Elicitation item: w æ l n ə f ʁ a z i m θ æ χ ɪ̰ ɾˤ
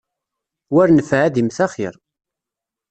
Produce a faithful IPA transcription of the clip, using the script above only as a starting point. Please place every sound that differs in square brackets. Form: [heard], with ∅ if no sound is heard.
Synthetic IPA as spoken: w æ [ɾ] n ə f [ʕ] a [ð] i m θ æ χ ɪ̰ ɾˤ

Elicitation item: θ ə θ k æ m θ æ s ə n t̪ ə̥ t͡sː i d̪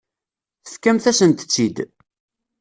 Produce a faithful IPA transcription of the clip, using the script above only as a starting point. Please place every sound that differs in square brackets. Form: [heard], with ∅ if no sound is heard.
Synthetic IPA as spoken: θ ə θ k æ m θ æ s ə n t̪ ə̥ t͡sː i d̪

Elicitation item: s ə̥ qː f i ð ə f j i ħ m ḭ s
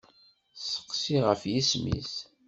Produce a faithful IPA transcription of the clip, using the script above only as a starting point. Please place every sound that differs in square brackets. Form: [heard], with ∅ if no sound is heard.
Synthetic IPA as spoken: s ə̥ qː [s] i [ʁ] ə f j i [s] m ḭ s

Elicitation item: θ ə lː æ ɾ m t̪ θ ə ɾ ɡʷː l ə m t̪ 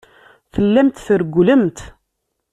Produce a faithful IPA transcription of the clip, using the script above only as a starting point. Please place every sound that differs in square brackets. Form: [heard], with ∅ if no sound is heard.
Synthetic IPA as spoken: θ ə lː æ [∅] m t̪ θ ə ɾ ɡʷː l ə m t̪

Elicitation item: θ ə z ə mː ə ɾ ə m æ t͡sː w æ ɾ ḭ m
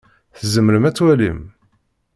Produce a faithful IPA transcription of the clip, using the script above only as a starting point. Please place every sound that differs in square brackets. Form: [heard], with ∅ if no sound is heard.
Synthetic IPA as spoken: θ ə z ə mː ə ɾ ə m æ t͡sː w æ [l] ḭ m

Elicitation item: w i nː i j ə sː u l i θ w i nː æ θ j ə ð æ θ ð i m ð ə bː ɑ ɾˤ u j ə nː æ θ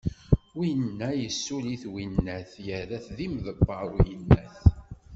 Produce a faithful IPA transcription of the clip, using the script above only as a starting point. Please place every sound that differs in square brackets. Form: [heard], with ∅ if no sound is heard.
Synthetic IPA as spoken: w i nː [æ] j ə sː u l i θ w i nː æ θ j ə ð æ θ ð i m ð ə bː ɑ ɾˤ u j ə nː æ θ

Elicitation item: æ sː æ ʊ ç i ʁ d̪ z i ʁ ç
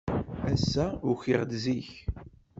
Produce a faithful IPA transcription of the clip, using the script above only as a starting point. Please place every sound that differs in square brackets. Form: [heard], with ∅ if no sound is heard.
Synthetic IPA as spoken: æ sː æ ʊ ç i ʁ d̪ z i [∅] ç

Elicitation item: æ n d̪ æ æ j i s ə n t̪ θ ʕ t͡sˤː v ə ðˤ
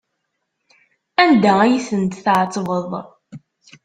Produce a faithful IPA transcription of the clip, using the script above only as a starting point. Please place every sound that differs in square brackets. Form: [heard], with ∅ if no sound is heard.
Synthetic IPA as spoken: æ n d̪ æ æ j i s ə n t̪ θ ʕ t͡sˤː v ə ðˤ

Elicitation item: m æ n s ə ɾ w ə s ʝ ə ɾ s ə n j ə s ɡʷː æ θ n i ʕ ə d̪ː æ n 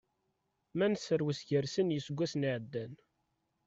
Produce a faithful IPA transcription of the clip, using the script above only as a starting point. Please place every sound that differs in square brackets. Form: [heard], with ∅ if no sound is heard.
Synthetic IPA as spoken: m æ n s ə ɾ w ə s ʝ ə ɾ s ə n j ə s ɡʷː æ [s] n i ʕ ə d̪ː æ n

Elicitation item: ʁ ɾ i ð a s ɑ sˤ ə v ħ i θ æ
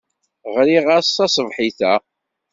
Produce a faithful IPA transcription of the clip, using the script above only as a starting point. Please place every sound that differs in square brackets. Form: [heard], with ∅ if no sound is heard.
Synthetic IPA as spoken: ʁ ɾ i [ʁ] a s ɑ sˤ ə v ħ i θ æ

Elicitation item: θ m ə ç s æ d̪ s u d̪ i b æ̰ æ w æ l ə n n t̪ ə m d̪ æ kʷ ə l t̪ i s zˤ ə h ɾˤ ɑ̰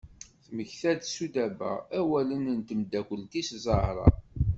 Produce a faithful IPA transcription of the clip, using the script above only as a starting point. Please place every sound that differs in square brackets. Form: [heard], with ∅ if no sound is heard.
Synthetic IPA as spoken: θ m ə ç [θ] æ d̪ s u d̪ [æ] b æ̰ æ w æ l ə n n t̪ ə m d̪ æ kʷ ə l t̪ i s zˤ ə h ɾˤ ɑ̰

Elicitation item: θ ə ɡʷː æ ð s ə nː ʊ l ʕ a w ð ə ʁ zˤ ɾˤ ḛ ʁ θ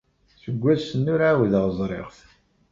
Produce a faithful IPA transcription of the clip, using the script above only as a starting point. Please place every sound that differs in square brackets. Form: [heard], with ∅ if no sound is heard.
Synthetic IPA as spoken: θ ə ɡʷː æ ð s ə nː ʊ [ɾ] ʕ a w ð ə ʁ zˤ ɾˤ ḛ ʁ θ

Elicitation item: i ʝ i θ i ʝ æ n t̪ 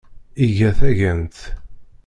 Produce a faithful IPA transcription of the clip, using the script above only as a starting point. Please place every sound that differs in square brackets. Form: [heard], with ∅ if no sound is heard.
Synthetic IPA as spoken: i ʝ [æ] θ [æ] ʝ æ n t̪

